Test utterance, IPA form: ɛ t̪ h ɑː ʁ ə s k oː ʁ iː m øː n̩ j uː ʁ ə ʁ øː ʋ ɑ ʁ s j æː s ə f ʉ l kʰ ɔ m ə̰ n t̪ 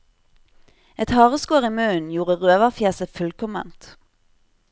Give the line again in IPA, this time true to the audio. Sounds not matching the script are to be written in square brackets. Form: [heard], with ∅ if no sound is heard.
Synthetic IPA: ɛ t̪ h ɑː ʁ ə s k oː ʁ iː m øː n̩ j uː ʁ ə ʁ øː ʋ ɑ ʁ [f] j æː s ə f ʉ l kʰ ɔ m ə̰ n t̪